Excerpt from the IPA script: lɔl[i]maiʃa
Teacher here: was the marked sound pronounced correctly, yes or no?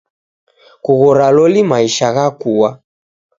yes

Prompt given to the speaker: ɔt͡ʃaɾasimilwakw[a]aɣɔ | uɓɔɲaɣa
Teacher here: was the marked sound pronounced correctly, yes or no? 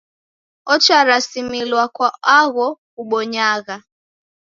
yes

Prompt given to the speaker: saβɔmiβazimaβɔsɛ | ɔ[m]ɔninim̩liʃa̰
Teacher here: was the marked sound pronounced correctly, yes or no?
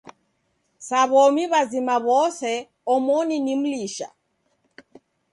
yes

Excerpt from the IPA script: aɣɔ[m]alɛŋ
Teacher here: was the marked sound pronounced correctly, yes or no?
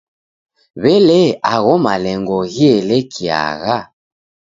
yes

